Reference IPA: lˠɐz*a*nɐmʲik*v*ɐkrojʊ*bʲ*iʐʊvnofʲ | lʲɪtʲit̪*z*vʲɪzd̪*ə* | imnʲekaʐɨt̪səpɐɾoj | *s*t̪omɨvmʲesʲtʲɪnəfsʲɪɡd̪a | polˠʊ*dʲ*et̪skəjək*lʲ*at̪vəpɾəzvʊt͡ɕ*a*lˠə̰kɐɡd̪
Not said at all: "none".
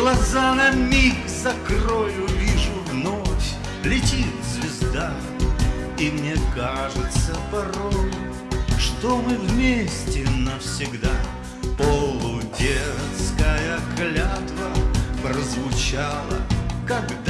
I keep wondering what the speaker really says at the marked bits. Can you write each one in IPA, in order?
a, z, vʲ, z, a, ʂ, dʲ, lʲ, a

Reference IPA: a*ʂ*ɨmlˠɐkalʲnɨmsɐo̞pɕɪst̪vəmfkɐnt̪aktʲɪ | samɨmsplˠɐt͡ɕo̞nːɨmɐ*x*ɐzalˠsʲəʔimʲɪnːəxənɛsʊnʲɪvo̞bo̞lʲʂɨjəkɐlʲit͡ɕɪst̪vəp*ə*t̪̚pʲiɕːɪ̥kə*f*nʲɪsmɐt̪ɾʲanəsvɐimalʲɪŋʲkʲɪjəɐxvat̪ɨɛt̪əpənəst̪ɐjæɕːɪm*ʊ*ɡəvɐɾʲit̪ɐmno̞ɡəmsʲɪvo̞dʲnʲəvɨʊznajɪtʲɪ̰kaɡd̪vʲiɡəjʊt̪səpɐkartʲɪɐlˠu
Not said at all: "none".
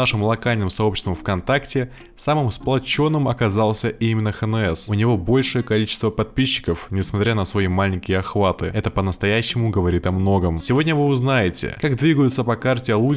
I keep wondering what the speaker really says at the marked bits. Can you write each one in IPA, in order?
ʂ, k, ɐ, f, ʊ

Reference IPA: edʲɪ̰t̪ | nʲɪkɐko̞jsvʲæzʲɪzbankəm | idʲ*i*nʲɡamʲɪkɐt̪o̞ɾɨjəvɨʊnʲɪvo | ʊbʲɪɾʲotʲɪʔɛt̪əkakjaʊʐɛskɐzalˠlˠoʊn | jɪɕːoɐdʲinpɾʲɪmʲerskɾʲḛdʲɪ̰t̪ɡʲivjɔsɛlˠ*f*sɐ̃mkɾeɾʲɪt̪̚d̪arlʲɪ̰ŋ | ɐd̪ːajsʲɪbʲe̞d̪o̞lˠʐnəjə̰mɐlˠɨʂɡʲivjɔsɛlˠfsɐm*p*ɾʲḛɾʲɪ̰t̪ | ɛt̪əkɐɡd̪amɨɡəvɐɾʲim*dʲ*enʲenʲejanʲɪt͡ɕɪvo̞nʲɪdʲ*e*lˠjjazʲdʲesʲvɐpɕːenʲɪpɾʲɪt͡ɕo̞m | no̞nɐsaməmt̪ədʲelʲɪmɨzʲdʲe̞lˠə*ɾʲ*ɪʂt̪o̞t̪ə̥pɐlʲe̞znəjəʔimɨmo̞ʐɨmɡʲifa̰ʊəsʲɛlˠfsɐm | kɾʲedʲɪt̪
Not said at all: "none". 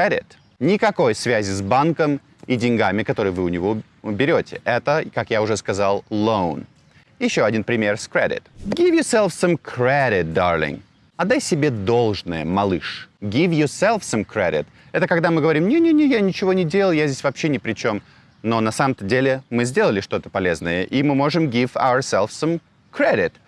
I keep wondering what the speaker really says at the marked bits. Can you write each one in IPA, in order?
ɪ, f, k, nʲ, e, lʲ

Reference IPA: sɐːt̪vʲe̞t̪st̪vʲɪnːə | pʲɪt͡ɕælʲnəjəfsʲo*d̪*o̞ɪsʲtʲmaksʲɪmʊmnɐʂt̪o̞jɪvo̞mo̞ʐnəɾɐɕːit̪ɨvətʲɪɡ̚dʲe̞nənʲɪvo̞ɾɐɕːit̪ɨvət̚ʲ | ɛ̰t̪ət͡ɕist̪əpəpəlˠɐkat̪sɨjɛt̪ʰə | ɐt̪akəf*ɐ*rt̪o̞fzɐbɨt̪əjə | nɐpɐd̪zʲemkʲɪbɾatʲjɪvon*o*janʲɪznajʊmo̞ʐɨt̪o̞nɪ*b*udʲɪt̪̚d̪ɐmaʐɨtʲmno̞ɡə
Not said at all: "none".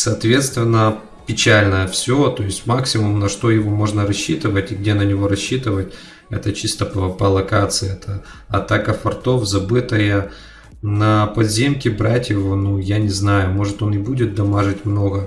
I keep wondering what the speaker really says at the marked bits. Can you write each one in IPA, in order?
t̪, ɐ, u, b

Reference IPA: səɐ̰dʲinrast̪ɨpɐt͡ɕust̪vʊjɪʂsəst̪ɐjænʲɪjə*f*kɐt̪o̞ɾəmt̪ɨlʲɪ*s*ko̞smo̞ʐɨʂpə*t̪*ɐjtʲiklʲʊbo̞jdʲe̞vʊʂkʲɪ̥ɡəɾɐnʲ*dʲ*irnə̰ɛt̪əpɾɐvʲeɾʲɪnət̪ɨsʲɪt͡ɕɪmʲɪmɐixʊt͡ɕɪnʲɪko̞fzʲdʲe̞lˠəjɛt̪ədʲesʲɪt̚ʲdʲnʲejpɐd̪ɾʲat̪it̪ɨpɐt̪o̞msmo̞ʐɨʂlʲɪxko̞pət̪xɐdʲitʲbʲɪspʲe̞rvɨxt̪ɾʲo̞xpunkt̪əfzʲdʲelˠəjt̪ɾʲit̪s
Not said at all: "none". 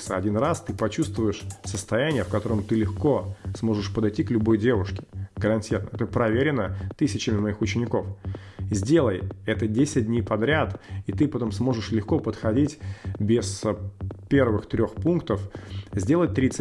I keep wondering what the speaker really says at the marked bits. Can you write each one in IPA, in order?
f, x, d̪, tʲ

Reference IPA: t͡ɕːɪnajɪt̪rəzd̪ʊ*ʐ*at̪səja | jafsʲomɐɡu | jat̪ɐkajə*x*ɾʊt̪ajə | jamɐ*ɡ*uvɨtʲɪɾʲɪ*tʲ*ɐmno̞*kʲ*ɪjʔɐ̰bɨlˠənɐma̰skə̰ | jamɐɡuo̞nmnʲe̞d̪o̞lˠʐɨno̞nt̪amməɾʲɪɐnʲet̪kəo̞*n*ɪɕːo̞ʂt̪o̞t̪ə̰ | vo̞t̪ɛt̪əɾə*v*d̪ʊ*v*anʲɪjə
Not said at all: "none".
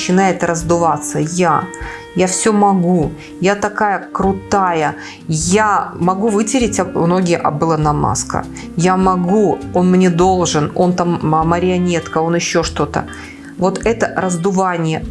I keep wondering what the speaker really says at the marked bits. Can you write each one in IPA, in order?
v, k, ɡ, tʲ, ɡʲ, n, z, v

